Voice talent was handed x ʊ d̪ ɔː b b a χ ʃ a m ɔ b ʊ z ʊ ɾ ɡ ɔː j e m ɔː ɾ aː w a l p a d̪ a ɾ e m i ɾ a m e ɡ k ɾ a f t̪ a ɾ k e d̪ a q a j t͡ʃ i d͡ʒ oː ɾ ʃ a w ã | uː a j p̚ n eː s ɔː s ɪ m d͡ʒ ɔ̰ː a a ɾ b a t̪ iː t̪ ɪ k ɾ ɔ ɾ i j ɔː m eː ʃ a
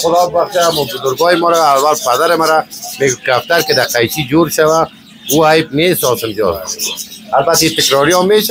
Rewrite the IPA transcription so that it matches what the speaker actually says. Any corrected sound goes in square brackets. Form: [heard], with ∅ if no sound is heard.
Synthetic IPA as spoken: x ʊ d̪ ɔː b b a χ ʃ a m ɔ b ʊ z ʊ ɾ ɡ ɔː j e m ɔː ɾ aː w a l p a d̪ a ɾ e m [a] ɾ a m e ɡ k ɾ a f t̪ a ɾ k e d̪ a q a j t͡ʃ i d͡ʒ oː ɾ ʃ a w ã | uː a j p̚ n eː s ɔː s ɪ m d͡ʒ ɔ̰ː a a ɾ b a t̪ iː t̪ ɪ k ɾ ɔ ɾ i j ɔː m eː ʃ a